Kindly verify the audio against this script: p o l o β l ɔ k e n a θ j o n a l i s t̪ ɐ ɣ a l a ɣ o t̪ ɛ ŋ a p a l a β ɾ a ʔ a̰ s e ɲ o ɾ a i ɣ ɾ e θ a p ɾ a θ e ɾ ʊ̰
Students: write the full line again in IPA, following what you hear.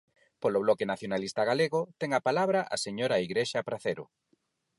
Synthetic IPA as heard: p o l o β l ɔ k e n a θ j o n a l i s t̪ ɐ ɣ a l e ɣ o t̪ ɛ ŋ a p a l a β ɾ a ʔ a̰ s e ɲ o ɾ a i ɣ ɾ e ʃ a p ɾ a θ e ɾ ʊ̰